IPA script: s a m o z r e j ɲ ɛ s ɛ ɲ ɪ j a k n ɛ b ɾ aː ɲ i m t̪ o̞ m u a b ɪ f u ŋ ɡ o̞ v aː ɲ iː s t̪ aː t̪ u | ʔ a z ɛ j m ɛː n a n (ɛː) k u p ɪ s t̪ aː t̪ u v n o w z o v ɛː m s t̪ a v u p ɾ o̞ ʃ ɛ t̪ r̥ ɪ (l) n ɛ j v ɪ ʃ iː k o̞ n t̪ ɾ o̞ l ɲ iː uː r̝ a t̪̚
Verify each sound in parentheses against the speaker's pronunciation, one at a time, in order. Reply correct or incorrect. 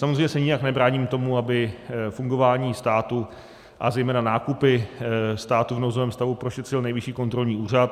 incorrect: aː, correct

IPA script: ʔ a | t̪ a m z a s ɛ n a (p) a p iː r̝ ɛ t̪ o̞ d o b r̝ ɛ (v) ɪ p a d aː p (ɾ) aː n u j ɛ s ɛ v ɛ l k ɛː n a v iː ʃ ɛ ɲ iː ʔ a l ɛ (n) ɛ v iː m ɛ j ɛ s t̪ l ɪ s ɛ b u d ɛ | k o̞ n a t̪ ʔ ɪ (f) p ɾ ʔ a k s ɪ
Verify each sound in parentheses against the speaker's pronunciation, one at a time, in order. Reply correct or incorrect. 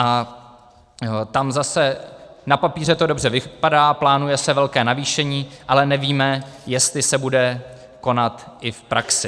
correct, correct, incorrect: l, correct, correct

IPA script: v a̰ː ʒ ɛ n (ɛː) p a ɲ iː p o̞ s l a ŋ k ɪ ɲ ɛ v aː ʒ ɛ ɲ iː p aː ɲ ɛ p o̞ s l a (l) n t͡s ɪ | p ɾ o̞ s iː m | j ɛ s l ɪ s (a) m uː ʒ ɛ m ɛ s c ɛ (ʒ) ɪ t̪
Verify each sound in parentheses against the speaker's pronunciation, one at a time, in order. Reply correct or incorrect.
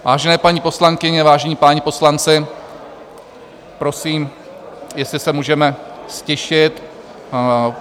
correct, incorrect: none, incorrect: ɛ, incorrect: ʃ

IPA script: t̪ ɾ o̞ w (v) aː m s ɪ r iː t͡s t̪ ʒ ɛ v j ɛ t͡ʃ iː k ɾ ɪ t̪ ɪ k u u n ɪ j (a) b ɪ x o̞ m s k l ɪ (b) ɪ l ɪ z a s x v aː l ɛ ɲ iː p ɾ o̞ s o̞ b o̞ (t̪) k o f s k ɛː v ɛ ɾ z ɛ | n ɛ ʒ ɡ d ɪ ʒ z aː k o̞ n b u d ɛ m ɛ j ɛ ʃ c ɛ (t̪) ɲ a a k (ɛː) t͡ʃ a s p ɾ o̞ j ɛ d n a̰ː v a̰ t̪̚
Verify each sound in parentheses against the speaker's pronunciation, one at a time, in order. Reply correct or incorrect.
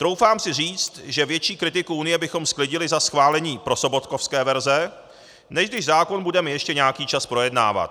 incorrect: f, incorrect: ɛ, incorrect: ɟ, correct, incorrect: none, incorrect: iː

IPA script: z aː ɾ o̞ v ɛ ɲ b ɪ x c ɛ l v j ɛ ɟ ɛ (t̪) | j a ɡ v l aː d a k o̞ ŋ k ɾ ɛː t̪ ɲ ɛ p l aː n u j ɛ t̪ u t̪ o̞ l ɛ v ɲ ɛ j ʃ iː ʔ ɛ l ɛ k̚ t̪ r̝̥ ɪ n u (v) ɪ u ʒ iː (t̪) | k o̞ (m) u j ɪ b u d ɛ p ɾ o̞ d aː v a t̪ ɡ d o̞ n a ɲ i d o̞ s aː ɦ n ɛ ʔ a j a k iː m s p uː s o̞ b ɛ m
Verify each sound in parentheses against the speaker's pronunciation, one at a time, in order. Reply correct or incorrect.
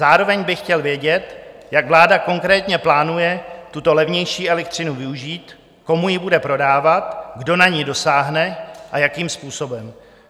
correct, correct, correct, correct

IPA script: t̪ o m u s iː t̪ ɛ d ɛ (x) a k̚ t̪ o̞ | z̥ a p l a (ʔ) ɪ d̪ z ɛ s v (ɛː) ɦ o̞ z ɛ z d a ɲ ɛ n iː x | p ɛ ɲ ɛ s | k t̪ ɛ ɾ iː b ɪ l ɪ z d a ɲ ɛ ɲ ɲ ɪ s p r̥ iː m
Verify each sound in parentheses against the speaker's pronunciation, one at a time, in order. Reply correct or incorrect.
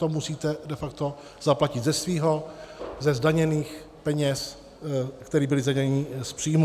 incorrect: f, incorrect: c, incorrect: iː

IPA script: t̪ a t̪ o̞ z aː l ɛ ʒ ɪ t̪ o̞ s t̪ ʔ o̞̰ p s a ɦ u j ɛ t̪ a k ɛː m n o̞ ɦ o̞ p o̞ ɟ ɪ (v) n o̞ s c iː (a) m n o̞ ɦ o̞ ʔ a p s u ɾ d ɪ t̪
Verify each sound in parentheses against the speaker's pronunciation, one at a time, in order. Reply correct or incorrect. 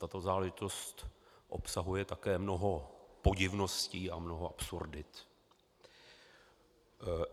correct, correct

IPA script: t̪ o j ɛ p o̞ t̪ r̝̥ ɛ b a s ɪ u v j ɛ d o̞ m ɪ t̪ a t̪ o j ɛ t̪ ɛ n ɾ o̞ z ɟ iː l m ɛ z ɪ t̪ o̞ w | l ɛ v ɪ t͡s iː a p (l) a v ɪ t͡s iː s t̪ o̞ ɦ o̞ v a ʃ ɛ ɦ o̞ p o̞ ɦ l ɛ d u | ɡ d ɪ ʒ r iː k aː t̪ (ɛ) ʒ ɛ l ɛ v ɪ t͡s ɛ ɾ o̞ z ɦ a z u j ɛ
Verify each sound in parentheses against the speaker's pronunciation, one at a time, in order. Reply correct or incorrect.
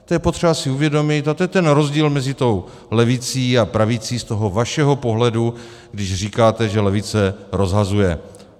incorrect: ɾ, correct

